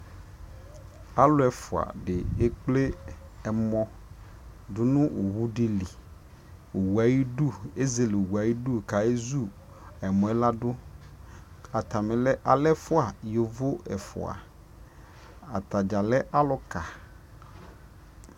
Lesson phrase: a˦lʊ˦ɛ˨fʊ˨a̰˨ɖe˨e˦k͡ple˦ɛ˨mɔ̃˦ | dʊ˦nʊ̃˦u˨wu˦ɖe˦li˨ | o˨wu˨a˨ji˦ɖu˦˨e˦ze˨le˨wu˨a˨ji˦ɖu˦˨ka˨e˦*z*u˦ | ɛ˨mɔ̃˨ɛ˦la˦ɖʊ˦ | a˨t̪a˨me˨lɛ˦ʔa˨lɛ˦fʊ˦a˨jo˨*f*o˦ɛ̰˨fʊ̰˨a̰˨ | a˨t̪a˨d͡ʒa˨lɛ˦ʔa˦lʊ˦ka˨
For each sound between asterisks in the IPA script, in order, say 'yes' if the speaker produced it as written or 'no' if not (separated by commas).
yes, no